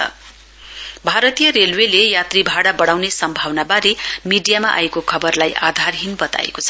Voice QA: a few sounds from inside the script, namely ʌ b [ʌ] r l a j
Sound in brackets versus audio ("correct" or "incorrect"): correct